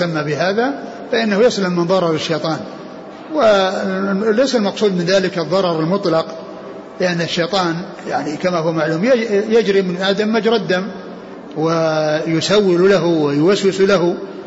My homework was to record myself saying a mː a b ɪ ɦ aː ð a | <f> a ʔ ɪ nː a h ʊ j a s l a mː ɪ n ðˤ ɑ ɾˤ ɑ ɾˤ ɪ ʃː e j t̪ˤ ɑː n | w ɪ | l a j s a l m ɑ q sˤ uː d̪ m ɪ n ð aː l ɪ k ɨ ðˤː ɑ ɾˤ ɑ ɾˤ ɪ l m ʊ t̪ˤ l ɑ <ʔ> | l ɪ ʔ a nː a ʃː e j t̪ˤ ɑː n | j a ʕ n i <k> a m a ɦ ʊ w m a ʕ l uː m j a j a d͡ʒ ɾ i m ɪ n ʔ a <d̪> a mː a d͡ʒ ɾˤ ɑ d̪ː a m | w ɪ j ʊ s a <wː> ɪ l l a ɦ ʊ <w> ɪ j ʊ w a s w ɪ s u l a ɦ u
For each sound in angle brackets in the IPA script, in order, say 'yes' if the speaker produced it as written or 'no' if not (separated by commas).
yes, no, yes, yes, yes, yes